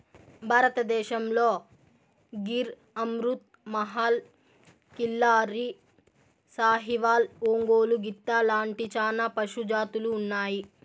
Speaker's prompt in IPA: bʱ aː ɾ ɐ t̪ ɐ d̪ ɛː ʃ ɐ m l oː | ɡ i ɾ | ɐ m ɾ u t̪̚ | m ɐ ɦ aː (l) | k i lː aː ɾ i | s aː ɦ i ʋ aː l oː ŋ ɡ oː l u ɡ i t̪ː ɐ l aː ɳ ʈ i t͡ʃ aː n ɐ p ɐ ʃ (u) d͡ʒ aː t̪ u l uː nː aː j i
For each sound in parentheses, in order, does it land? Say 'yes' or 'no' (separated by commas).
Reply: yes, yes